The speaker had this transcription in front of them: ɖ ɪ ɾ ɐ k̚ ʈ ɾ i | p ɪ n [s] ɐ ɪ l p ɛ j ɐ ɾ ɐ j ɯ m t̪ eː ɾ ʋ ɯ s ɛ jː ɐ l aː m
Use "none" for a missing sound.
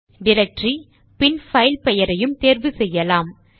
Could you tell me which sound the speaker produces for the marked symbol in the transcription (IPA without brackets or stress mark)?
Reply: f